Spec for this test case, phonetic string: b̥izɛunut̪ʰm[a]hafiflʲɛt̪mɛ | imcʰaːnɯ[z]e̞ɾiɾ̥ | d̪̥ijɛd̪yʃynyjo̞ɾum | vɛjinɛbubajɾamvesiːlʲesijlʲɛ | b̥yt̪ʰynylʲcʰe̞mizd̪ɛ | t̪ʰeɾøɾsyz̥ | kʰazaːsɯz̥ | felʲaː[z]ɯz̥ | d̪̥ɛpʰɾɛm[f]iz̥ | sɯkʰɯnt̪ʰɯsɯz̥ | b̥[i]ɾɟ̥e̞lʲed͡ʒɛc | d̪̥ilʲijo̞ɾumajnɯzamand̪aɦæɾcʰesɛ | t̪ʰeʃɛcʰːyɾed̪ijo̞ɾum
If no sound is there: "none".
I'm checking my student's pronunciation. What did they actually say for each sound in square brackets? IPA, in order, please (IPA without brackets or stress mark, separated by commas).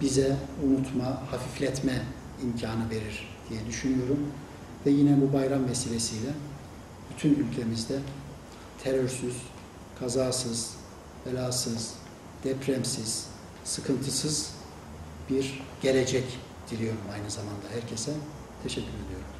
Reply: a, v, s, s, i